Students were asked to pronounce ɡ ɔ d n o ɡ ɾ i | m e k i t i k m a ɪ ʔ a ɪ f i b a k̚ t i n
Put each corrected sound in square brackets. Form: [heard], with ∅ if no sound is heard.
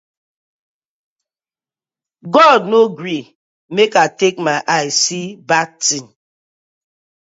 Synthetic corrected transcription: ɡ ɔ d n o ɡ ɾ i | m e k [a] t [e] k m a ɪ ʔ a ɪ [s] i b a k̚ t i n